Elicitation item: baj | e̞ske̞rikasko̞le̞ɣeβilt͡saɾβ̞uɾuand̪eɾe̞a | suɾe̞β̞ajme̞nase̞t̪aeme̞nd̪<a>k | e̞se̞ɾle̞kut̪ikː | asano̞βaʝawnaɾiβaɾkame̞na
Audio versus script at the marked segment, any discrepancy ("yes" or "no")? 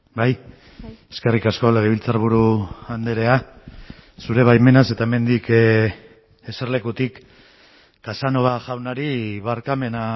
yes